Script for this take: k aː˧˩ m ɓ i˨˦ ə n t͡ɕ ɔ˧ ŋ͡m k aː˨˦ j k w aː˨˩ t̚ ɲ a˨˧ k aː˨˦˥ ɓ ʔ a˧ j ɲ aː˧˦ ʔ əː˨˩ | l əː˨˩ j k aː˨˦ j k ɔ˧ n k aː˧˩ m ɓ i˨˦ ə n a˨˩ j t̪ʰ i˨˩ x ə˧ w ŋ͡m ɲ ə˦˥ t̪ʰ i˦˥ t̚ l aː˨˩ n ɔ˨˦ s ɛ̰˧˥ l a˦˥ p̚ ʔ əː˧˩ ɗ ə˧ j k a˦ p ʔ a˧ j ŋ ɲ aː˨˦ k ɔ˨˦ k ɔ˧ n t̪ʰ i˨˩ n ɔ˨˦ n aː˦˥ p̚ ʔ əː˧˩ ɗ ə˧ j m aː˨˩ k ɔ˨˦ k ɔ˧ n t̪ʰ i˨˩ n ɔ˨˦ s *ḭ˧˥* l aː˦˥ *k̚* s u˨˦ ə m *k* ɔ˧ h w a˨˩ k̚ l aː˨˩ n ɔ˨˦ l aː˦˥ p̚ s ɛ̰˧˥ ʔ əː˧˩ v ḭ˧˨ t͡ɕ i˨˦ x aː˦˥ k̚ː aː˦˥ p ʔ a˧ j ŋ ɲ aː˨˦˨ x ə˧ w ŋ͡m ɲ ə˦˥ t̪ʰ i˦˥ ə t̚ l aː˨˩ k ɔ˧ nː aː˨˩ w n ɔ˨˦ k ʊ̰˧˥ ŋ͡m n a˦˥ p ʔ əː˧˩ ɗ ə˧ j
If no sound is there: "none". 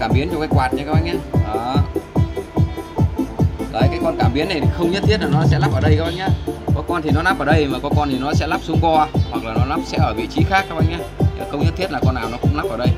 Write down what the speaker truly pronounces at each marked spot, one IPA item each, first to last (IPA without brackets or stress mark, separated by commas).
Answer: ɛ̰˧˥, p̚, k